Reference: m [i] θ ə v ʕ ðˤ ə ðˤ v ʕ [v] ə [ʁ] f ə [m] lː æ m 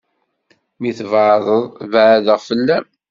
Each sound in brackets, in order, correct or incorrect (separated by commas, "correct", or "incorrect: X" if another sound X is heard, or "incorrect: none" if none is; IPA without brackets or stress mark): correct, incorrect: ð, correct, incorrect: none